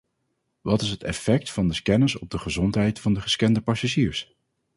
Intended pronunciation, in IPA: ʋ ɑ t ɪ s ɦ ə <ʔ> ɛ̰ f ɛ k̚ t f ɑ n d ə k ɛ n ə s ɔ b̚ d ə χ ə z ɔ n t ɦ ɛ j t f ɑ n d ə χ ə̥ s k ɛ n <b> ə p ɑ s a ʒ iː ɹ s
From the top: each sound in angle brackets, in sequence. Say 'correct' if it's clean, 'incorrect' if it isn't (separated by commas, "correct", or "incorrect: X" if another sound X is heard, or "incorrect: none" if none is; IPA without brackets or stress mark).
incorrect: t, incorrect: d